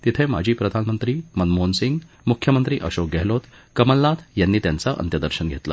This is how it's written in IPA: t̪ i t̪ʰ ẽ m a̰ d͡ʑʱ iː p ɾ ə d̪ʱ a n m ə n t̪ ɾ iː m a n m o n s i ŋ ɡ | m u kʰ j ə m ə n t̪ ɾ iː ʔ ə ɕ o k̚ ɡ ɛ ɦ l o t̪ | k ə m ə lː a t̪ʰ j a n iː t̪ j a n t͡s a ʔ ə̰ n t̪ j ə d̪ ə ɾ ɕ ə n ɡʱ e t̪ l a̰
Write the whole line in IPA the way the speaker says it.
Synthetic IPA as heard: t̪ i t̪ʰ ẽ m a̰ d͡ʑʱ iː p ɾ ə d̪ʱ a n m ə n t̪ ɾ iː m ə n m o n s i ŋ ɡ | m u kʰ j ə m ə n t̪ ɾ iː ʔ ə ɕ o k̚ ɡ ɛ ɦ l o t̪ | k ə m ə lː a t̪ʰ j a nː iː t̪ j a n t͡s a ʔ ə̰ n t̪ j ə d̪ ə ɾ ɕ ə n ɡʱ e t̪ l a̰